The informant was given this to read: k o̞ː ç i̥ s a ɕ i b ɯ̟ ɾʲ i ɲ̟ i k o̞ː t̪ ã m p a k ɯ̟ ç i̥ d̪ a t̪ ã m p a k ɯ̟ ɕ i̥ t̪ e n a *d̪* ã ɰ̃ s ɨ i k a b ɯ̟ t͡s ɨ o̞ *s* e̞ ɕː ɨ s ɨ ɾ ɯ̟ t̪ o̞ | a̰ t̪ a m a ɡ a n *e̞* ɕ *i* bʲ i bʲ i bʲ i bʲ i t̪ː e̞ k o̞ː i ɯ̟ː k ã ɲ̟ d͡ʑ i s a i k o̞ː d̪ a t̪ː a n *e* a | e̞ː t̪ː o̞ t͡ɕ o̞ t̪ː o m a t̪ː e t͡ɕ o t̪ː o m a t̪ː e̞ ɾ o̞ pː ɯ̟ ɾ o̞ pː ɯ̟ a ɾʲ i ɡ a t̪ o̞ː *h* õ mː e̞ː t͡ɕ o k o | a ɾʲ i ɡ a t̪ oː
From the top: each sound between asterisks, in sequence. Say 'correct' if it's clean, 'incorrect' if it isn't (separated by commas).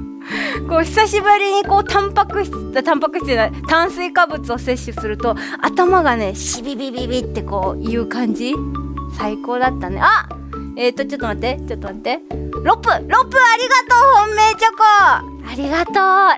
incorrect, correct, correct, correct, correct, correct